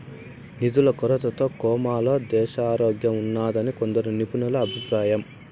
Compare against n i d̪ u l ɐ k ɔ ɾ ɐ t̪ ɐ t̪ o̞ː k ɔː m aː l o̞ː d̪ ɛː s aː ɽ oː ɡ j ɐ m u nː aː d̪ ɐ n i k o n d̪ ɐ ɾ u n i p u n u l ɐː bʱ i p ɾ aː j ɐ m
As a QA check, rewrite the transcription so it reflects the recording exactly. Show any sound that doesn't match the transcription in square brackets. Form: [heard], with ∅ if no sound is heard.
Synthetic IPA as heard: n i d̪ u l ɐ k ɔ ɾ ɐ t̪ ɐ t̪ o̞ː k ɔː m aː l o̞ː d̪ ɛː [ʃ] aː [ɾ] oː ɡ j ɐ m u nː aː d̪ ɐ n i k o n d̪ ɐ ɾ u n i p u n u l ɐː bʱ i p ɾ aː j ɐ m